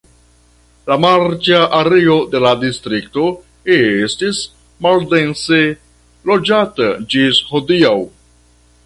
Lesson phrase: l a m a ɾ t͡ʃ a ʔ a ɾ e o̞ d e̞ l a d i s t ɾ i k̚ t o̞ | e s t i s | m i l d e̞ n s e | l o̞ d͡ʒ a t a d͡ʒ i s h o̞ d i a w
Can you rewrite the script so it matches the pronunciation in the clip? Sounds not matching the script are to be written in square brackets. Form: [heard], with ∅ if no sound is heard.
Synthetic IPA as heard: l a m a ɾ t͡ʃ a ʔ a ɾ e o̞ d e̞ l a d i s t ɾ i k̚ t o̞ | e s t i s | m [a] l d e̞ n s e | l o̞ d͡ʒ a t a d͡ʒ i s h o̞ d i a w